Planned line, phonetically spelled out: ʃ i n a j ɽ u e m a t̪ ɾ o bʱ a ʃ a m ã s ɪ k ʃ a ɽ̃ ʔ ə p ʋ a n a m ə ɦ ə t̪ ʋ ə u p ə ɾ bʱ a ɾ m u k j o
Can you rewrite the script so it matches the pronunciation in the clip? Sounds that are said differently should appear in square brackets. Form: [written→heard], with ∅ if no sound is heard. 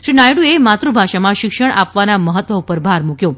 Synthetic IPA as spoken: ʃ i n a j ɽ u e m a t̪ ɾ [o→u] bʱ a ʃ a m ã [s→ʃ] ɪ k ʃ [a→ə] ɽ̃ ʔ [ə→a] p ʋ a n a m ə ɦ ə t̪ ʋ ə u p ə ɾ bʱ a ɾ m u k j o